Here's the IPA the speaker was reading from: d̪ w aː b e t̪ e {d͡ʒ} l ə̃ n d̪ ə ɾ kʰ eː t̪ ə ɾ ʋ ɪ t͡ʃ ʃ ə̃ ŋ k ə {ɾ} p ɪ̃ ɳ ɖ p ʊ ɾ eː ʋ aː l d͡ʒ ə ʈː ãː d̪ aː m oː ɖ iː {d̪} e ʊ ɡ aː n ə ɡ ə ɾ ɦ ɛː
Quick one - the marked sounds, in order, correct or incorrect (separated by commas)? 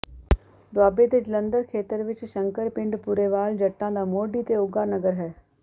correct, correct, incorrect